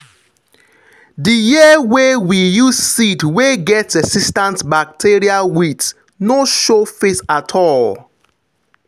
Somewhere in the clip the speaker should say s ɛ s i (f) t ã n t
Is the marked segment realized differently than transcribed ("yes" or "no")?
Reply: yes